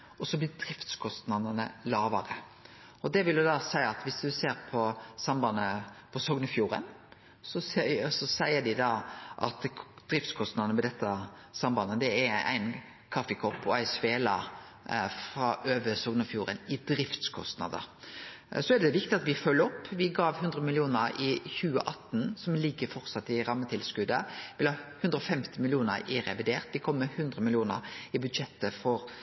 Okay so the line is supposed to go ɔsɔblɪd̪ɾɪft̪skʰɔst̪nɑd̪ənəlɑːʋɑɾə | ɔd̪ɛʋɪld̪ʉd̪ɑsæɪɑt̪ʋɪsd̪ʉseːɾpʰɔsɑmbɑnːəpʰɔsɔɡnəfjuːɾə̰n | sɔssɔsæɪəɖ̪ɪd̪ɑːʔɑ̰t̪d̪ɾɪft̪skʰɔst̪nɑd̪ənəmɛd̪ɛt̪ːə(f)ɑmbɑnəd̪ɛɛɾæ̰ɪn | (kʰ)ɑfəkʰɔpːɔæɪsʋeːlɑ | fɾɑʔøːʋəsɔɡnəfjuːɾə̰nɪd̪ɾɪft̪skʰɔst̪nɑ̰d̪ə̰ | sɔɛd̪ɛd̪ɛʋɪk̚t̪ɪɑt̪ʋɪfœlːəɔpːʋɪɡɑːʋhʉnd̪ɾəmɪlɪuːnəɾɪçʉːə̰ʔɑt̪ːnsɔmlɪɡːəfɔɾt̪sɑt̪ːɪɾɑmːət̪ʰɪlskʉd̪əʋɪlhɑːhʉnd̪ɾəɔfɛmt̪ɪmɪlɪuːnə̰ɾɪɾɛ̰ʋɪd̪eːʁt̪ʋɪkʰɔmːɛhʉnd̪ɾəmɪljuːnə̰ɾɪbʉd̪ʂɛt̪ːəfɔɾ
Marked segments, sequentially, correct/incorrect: incorrect, correct

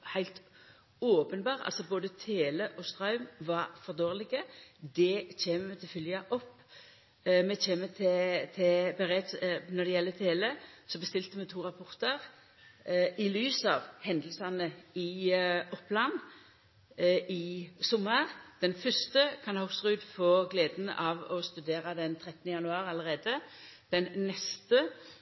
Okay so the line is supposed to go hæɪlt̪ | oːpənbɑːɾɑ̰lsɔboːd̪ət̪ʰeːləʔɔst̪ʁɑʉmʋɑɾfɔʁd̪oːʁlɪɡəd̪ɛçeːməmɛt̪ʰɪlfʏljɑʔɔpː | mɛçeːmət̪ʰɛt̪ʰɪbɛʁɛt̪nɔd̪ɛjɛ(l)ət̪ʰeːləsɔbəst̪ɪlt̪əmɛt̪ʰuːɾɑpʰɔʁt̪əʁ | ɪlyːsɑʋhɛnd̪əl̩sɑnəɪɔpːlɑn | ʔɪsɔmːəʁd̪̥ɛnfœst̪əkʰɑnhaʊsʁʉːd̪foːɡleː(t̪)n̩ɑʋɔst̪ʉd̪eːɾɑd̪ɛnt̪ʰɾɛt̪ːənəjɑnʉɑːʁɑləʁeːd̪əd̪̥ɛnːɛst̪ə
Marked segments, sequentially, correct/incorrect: incorrect, incorrect

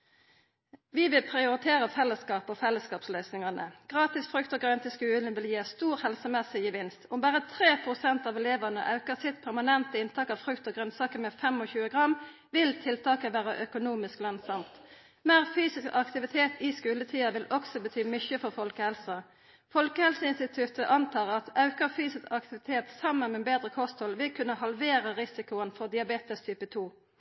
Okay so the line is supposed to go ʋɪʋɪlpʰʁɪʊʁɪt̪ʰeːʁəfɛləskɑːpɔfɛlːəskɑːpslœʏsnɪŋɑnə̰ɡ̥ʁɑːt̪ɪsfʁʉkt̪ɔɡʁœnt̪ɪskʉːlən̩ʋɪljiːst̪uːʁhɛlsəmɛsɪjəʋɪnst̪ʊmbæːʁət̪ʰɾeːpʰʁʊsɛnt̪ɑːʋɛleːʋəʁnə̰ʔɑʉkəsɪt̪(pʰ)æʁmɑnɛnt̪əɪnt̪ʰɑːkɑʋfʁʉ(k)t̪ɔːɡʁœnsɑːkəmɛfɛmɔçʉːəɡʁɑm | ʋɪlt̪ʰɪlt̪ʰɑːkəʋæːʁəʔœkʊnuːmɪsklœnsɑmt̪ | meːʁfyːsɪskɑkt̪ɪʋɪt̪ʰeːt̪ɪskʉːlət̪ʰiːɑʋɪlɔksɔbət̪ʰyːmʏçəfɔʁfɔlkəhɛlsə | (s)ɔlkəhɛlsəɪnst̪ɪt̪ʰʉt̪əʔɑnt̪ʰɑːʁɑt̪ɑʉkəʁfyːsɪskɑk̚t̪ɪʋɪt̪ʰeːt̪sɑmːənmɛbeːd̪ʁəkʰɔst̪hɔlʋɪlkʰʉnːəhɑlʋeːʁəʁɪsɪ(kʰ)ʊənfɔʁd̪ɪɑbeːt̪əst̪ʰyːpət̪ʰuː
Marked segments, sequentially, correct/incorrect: correct, correct, incorrect, incorrect

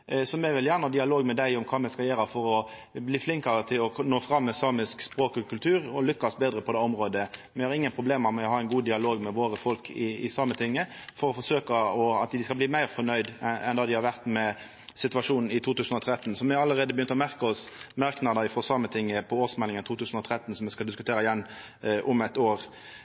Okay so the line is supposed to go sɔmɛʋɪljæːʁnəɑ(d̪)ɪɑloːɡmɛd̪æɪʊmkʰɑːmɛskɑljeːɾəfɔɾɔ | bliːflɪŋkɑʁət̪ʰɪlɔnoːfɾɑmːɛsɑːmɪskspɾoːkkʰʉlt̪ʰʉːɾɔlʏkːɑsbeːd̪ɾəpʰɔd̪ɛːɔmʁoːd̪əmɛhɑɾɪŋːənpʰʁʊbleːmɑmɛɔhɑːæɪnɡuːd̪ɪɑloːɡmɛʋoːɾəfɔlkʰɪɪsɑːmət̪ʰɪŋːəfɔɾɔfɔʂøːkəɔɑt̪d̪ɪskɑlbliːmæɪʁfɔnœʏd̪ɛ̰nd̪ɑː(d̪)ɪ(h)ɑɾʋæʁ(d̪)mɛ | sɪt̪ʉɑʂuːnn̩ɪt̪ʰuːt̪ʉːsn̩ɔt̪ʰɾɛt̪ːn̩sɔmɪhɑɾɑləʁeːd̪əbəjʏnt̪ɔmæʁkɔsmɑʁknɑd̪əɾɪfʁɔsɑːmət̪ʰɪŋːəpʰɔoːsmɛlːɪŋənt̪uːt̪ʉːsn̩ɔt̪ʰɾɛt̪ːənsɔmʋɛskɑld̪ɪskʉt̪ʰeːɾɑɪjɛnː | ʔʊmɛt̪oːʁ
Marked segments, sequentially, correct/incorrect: correct, correct, correct, incorrect

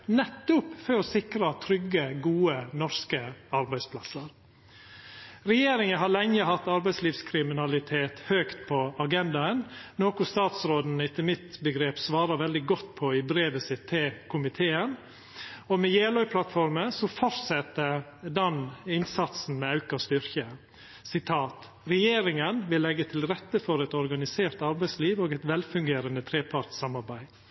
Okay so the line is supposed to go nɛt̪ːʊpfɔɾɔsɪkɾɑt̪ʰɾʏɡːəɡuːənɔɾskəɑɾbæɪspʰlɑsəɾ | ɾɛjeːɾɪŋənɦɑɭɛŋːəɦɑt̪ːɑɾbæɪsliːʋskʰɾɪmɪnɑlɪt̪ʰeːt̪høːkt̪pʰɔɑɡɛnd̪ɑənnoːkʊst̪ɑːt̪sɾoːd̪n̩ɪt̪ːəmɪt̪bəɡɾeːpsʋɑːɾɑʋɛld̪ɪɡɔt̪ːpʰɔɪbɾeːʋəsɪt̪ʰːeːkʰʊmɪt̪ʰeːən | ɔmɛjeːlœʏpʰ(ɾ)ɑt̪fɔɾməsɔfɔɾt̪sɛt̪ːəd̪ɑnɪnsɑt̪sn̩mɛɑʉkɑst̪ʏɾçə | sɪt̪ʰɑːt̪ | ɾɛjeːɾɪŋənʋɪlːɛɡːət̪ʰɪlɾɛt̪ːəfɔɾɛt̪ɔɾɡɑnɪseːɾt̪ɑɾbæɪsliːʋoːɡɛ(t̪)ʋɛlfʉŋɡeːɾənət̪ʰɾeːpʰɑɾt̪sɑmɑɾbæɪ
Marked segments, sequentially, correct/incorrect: incorrect, correct

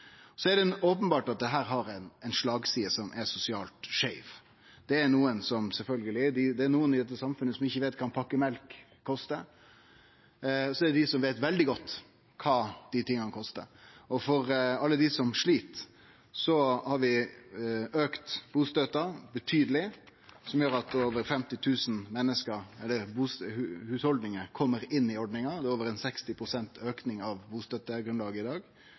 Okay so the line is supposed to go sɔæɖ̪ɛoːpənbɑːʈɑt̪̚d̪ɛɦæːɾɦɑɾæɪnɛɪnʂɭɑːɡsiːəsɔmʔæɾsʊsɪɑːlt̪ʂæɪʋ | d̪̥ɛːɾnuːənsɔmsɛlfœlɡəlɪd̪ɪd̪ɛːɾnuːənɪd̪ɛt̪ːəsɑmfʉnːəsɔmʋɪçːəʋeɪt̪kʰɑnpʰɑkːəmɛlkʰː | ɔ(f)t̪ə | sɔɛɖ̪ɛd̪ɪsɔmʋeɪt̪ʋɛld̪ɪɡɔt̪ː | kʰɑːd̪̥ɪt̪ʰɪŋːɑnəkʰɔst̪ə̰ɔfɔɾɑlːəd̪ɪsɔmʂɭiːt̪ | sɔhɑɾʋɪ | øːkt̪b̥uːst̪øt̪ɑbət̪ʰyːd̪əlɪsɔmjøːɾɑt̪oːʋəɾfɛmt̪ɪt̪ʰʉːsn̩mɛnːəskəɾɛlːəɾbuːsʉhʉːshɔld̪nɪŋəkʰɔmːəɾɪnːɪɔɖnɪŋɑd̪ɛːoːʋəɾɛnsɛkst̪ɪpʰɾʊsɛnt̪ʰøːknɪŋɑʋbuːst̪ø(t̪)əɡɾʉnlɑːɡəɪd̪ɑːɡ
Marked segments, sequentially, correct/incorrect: incorrect, correct

